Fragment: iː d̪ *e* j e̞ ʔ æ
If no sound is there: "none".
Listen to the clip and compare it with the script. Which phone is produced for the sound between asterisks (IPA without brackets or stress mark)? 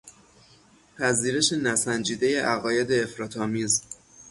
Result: e